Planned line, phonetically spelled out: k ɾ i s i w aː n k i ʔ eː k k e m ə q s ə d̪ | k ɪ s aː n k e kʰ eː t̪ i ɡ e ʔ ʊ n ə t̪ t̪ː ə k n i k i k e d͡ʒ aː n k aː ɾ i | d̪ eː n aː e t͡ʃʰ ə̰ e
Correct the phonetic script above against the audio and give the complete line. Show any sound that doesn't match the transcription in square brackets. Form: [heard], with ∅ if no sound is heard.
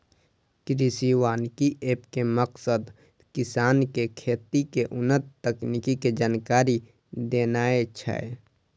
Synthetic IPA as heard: k ɾ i s i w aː n k i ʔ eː [p] k e m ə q s ə d̪ | k ɪ s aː n k e kʰ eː t̪ i [k] e ʔ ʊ n ə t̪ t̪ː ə k n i k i k e d͡ʒ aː n k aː ɾ i | d̪ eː n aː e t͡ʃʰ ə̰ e